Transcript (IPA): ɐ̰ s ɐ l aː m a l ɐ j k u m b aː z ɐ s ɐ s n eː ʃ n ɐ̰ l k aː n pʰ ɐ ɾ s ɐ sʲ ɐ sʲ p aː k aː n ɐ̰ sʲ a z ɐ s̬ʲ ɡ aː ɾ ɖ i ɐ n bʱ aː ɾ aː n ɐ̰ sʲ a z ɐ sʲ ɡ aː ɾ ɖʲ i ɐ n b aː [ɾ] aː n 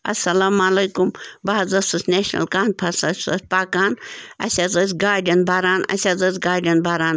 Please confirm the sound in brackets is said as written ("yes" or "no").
yes